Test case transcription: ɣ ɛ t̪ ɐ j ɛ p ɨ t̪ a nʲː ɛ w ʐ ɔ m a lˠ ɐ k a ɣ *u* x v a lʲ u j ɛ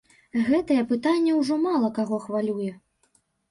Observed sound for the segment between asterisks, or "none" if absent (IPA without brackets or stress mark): ɔ